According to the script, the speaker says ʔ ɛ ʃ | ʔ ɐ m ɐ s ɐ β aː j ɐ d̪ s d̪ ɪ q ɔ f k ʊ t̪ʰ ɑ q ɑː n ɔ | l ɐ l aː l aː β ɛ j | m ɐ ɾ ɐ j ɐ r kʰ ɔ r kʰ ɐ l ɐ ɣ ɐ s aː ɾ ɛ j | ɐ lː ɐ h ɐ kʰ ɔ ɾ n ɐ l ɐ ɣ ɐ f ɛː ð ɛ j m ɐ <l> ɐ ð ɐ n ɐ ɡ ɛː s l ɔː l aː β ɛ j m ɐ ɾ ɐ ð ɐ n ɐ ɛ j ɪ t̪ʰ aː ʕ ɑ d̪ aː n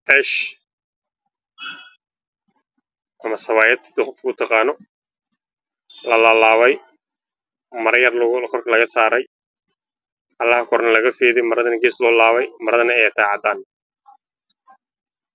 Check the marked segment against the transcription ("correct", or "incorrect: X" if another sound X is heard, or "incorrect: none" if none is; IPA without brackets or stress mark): incorrect: ɾ